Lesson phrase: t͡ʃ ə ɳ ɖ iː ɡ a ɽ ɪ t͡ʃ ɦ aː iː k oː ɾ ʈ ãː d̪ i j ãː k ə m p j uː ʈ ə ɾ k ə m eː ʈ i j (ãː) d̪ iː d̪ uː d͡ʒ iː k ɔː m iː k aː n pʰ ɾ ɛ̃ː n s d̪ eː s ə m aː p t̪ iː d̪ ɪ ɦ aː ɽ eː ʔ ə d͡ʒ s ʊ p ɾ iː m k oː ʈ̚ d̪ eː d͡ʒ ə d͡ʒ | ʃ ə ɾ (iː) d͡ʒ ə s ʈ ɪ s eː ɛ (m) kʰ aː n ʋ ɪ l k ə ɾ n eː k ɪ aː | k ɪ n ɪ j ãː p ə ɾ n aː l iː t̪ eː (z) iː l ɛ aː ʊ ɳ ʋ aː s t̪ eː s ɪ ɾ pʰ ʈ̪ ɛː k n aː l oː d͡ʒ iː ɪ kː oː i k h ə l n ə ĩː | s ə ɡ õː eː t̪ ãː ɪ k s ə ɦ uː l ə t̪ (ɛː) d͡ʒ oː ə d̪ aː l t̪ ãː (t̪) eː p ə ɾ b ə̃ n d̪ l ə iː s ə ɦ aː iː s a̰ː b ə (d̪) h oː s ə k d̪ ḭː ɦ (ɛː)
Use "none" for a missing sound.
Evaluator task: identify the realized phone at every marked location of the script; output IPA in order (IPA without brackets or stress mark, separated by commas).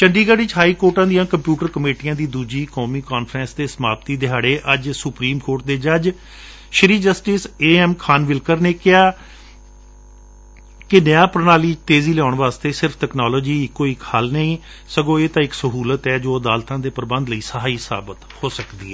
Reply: ãː, iː, m, z, ɛː, d̪, t̪, ɛː